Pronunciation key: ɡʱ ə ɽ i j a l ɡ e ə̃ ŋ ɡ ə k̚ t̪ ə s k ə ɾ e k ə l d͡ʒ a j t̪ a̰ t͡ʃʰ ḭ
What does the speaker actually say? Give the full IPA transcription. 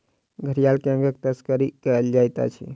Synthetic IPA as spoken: ɡʱ ə ɾ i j a l k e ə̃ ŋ ɡ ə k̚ t̪ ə s k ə ɾ i k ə l d͡ʒ a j t̪ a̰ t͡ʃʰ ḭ